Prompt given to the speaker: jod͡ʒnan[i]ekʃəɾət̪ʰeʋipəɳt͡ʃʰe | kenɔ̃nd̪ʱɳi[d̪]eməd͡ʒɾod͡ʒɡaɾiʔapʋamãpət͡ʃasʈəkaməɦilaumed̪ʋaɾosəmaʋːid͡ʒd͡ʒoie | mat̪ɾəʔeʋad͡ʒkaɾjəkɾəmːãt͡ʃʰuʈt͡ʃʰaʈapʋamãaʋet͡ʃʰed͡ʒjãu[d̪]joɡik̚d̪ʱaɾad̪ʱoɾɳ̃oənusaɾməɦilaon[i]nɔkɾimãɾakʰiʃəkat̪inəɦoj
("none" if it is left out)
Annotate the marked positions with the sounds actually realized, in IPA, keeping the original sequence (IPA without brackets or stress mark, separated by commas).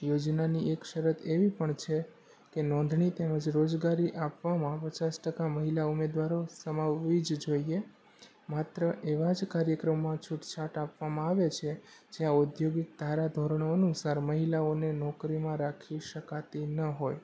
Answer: i, t̪, d̪, e